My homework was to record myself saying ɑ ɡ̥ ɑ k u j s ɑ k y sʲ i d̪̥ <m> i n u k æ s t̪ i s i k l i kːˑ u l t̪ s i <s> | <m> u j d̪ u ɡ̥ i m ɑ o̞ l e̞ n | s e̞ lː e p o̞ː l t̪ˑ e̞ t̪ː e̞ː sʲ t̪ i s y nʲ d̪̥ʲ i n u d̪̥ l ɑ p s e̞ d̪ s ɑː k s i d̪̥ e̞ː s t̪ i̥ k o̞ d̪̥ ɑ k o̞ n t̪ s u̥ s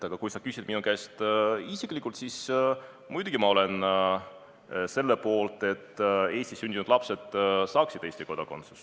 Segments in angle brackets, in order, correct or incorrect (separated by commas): correct, correct, correct